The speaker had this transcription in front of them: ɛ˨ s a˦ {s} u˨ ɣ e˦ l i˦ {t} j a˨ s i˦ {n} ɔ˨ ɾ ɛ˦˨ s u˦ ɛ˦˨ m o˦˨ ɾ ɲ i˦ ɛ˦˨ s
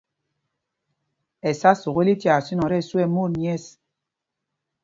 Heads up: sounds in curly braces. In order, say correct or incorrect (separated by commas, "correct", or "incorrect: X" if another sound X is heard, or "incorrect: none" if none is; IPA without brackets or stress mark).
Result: correct, correct, correct